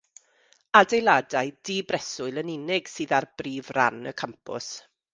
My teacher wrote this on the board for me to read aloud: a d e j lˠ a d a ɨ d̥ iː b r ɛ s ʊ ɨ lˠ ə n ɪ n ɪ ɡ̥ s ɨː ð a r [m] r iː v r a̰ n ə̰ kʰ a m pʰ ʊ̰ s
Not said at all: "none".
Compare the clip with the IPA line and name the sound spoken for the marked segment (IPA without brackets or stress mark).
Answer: b